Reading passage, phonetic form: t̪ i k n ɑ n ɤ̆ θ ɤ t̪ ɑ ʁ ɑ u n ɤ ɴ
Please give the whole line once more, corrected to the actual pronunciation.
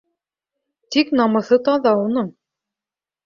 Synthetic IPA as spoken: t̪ i k n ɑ m ɤ̆ θ ɤ t̪ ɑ ð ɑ u n ɤ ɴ